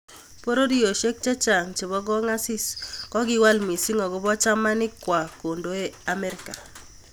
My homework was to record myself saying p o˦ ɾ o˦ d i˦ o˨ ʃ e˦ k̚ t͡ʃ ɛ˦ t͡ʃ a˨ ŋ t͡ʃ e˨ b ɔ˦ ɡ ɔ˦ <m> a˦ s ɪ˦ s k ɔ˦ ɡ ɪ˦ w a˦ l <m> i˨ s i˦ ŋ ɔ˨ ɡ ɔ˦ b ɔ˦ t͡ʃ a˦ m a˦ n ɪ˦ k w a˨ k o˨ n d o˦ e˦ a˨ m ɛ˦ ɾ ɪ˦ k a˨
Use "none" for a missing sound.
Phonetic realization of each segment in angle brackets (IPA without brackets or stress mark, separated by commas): ŋ, m